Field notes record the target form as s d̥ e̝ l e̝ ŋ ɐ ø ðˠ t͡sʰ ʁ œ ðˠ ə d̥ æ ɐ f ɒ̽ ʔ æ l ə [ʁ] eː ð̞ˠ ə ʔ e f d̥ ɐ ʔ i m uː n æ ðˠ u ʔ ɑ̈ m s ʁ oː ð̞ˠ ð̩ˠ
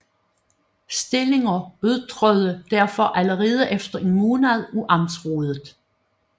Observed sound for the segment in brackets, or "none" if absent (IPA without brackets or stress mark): ʁ